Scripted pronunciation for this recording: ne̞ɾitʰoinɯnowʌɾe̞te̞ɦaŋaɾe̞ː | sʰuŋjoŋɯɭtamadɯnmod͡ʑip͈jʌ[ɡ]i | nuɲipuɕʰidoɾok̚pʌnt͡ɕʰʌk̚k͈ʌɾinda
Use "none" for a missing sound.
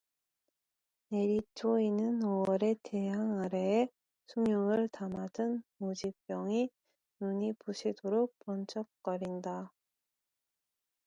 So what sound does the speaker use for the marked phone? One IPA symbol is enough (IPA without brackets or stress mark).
ŋ